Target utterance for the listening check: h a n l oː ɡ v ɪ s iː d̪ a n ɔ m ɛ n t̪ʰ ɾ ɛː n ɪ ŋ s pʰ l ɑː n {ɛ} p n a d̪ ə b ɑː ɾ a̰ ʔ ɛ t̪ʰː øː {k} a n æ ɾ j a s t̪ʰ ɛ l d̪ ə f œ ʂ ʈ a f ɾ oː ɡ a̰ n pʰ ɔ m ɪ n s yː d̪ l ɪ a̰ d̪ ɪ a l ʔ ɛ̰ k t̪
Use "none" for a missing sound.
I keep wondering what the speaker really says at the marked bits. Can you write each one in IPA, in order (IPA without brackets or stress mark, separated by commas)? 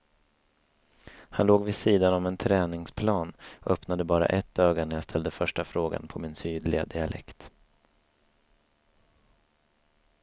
œ, ɡ